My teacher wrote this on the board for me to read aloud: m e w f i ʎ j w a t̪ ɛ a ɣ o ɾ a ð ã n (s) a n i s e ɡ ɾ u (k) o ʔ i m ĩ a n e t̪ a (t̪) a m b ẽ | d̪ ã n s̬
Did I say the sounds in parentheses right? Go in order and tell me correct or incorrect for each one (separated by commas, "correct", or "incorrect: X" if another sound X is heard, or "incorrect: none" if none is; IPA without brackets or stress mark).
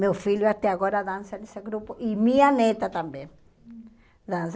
correct, incorrect: p, correct